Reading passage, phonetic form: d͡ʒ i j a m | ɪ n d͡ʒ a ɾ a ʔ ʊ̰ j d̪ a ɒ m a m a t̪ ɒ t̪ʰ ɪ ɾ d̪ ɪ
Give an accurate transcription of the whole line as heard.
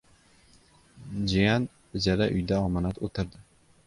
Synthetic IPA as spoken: d͡ʒ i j a n | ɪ d͡ʒ a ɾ a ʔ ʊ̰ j d̪ a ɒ m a n a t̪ o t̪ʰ ɪ ɾ d̪ ɪ